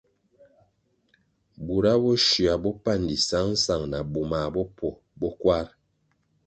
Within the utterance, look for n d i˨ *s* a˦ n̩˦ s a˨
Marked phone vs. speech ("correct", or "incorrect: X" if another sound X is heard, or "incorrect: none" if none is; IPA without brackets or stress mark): correct